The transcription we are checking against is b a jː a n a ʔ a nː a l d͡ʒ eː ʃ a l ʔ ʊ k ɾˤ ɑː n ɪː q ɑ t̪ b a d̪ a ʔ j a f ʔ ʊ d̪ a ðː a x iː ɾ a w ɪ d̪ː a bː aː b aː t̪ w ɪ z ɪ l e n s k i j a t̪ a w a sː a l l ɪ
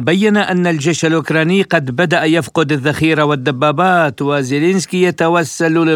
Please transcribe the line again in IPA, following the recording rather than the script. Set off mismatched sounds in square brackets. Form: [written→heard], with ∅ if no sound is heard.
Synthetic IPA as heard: b a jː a n a ʔ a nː a l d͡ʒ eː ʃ a l ʔ ʊ k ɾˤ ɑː n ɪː q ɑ [t̪→d̪] b a d̪ a ʔ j a f [ʔ→q] ʊ d̪ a ðː a x iː ɾ a w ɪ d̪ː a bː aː b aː t̪ w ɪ z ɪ l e n s k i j a t̪ a w a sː a l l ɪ